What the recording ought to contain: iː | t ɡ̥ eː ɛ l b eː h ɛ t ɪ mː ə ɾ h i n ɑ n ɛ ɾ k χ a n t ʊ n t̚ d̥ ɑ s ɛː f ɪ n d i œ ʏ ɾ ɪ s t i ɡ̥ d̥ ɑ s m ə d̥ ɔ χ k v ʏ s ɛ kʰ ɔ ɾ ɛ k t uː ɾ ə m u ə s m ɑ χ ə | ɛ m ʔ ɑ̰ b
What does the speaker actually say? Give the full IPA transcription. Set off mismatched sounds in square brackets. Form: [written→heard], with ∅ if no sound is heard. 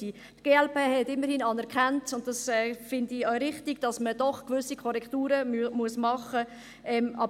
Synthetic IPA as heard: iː | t ɡ̥ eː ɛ l [b→p] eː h ɛ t ɪ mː ə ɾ h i n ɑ n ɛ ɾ k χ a n t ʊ n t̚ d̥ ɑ s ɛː f ɪ n d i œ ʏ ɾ ɪ [s→χ] t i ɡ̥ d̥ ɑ s m ə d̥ ɔ χ k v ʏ s [ɛ→i] kʰ ɔ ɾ ɛ k t uː ɾ ə m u ə s m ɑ χ ə | ɛ m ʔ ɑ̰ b